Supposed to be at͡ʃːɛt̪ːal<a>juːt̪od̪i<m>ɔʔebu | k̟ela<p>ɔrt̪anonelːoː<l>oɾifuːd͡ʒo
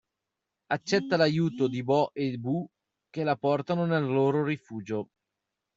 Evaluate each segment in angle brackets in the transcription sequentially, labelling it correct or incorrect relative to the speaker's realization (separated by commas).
correct, incorrect, correct, incorrect